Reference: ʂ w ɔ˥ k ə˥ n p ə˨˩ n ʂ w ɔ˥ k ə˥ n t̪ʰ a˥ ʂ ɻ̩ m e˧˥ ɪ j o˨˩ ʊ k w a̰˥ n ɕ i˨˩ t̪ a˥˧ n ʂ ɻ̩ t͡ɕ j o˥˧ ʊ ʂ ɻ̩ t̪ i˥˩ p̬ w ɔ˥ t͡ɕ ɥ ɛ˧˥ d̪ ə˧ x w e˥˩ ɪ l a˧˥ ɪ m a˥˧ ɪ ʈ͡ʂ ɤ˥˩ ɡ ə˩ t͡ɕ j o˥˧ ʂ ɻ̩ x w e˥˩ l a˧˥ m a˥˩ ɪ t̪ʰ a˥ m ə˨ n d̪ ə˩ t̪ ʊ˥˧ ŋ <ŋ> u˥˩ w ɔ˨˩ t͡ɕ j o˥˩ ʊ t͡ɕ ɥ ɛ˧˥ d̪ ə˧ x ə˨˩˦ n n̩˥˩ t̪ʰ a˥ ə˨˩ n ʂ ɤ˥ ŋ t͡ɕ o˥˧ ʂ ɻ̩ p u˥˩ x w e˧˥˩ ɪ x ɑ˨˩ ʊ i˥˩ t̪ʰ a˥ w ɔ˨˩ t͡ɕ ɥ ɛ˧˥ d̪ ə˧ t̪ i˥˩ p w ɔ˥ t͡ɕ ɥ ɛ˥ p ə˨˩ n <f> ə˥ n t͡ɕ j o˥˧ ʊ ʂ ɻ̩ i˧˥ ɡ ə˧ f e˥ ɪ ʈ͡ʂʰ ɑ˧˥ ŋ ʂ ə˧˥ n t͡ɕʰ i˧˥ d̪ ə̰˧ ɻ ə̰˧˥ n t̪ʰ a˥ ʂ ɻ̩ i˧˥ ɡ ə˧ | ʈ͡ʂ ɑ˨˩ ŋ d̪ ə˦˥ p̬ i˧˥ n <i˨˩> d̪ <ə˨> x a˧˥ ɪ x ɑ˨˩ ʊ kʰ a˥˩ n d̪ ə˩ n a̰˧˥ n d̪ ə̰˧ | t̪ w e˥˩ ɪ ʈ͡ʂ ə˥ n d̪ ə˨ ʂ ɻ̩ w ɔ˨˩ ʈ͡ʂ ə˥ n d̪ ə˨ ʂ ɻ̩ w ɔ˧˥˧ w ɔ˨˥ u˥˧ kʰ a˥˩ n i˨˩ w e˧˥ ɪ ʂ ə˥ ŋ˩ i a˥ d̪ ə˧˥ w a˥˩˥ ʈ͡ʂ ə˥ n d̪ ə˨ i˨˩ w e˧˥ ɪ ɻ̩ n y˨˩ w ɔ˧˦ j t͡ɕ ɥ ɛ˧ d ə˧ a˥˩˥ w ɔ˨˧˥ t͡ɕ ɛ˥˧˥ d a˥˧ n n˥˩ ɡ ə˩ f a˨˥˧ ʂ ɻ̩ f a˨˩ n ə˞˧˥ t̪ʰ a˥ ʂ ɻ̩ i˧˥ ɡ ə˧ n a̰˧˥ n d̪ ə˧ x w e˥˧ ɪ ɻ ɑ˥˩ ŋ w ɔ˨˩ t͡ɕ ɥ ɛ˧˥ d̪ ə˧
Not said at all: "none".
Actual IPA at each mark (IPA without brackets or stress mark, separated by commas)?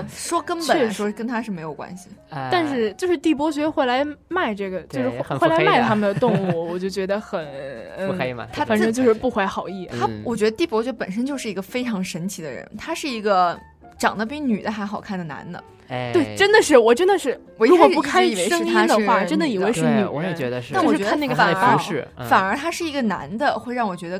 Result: ŋ, ʂ, y˨˩, ə˦